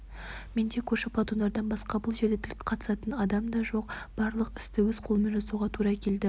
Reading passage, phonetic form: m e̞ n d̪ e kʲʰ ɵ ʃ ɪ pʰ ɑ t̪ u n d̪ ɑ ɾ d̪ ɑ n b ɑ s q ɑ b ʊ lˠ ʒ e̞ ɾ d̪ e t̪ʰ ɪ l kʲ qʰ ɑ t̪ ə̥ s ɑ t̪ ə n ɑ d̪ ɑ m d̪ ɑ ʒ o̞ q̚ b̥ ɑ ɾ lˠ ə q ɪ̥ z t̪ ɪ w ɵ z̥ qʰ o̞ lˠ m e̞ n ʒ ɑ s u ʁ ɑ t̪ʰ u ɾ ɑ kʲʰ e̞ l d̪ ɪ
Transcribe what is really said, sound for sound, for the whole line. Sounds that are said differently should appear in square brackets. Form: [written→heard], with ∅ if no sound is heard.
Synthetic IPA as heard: m e̞ n d̪ e kʲʰ ɵ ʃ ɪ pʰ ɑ t̪ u n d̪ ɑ ɾ d̪ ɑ n b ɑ s q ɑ b ʊ lˠ ʒ e̞ ɾ d̪ e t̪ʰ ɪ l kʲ qʰ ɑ t̪ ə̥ s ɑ t̪ ə n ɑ d̪ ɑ m d̪ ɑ ʒ o̞ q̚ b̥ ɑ ɾ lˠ ə q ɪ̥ [z→s] t̪ ɪ w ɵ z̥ qʰ o̞ lˠ m e̞ n ʒ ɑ s u ʁ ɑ t̪ʰ u ɾ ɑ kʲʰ e̞ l d̪ ɪ